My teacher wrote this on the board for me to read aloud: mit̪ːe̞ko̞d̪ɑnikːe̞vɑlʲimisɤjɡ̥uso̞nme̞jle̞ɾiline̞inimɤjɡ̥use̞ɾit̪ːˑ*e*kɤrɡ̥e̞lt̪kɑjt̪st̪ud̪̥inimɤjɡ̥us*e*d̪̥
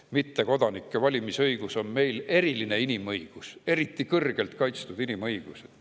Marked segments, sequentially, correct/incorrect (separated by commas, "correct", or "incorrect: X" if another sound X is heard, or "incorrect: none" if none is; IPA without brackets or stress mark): incorrect: i, correct